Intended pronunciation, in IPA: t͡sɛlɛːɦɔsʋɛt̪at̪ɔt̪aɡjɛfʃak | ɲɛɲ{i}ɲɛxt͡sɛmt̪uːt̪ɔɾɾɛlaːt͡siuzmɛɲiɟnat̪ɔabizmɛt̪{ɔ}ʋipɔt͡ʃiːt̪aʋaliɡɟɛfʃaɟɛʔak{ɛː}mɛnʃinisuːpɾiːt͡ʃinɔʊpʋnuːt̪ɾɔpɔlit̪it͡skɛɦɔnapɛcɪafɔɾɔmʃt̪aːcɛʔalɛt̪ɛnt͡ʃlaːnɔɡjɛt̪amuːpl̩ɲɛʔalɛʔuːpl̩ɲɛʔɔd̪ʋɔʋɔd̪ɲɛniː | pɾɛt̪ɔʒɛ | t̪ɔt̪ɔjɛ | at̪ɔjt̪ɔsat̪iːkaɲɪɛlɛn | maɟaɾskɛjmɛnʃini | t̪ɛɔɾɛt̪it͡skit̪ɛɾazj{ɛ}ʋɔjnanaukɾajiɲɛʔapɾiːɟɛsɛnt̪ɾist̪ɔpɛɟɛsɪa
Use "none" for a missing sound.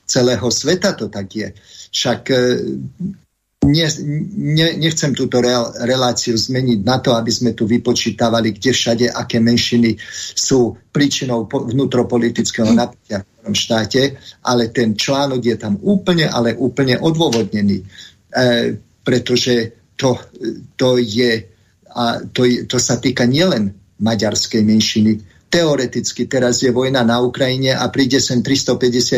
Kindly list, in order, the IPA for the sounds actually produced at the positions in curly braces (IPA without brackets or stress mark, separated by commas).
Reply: ɛ, u, ɛː, ɛ